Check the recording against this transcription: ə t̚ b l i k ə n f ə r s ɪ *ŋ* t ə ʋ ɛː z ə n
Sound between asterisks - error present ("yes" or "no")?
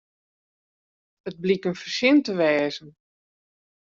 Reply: yes